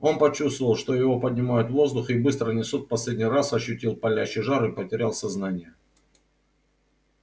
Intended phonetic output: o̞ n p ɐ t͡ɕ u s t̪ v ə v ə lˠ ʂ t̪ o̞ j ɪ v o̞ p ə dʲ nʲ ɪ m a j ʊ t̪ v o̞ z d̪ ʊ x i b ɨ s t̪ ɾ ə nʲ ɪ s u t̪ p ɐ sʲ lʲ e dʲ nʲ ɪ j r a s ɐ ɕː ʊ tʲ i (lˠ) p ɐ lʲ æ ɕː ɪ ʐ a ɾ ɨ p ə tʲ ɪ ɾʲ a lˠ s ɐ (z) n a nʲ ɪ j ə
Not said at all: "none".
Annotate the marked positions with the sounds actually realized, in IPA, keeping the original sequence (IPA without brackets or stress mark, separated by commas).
lˠ, z